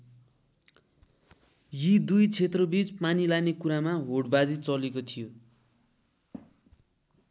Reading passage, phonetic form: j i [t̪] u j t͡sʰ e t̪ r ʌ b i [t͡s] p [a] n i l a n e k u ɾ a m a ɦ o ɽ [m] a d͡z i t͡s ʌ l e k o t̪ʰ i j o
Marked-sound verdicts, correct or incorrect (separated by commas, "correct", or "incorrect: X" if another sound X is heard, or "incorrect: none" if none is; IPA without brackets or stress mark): incorrect: d̪, correct, correct, incorrect: b